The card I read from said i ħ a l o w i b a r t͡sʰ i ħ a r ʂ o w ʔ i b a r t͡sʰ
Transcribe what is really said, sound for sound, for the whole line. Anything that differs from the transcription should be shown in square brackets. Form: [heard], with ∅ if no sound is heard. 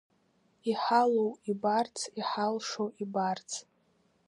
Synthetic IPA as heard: i ħ a l o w i b a r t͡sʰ i ħ a [l] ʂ o w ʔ i b a r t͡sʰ